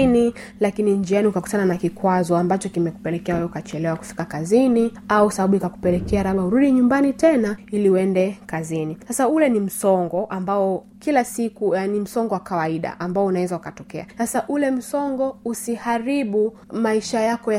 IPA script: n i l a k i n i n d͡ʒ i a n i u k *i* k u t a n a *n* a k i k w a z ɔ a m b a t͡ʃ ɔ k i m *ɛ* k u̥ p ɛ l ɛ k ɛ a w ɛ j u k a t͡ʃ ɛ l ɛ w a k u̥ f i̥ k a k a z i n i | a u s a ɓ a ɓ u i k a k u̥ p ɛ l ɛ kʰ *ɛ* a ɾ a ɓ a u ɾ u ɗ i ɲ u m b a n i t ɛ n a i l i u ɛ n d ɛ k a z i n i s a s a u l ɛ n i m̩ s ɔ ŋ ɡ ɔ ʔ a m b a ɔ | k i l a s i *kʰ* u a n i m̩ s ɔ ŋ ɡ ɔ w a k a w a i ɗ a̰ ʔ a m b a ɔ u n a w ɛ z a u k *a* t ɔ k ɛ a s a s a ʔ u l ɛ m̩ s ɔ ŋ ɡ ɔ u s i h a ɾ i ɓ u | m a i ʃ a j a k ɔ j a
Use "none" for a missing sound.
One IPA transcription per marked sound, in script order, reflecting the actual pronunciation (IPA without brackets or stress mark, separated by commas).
a, n, ɛ, ɛ, k, a